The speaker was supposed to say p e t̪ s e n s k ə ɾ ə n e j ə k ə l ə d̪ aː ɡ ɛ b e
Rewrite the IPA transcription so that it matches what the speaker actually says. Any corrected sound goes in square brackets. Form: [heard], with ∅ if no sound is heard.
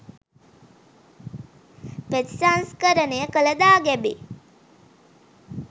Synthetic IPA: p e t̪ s [a] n s k ə ɾ ə n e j ə k ə l ə d̪ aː ɡ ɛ b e